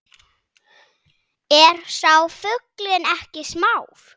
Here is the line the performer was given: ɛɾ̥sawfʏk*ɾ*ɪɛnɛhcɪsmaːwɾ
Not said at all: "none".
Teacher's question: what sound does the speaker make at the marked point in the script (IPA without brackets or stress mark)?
l